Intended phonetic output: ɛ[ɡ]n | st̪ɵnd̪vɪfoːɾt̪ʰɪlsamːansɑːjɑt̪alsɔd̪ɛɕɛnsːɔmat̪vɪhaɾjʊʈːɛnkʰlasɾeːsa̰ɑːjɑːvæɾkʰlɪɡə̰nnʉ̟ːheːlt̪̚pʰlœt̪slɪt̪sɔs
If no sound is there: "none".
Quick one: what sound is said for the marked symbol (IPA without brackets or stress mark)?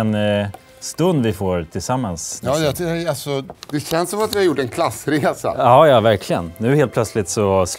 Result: none